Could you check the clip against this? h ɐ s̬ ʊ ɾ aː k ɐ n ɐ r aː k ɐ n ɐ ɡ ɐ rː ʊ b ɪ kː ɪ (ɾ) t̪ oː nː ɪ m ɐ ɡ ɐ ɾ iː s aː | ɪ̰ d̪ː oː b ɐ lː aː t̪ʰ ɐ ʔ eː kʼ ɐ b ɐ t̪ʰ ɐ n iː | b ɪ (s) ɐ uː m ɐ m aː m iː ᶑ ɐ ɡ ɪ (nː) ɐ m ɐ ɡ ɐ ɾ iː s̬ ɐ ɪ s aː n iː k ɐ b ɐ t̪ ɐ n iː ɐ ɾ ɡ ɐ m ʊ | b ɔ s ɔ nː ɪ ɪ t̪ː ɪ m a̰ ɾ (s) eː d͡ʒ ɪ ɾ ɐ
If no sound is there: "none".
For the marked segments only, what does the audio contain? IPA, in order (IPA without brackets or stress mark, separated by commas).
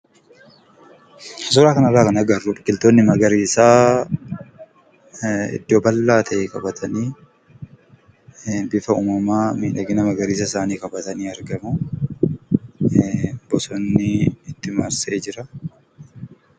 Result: l, f, n, s